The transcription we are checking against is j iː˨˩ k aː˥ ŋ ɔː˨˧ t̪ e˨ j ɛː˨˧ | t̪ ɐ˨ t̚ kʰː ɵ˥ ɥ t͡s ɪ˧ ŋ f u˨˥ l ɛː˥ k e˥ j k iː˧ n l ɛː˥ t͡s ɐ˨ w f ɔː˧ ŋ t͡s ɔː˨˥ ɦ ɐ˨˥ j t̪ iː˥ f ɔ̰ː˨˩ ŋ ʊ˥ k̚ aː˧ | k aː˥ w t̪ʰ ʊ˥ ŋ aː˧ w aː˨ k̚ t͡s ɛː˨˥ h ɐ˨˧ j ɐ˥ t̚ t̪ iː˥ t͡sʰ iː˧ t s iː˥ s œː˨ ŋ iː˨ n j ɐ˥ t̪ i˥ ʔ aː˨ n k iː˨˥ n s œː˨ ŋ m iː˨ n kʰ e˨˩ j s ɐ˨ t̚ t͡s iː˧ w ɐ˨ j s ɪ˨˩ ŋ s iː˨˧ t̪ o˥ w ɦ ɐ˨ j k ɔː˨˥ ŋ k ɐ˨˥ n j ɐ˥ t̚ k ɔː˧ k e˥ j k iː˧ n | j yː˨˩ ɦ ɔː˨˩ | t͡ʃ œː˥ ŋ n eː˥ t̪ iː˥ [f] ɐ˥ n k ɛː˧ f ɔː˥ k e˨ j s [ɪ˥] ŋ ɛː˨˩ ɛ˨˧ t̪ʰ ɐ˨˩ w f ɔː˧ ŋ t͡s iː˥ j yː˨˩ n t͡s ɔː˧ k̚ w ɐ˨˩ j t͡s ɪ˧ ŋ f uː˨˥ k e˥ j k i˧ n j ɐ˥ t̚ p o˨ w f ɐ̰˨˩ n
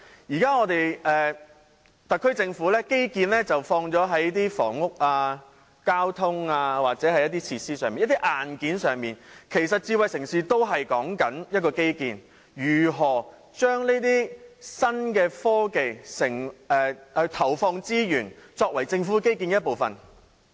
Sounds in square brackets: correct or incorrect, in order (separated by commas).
incorrect, incorrect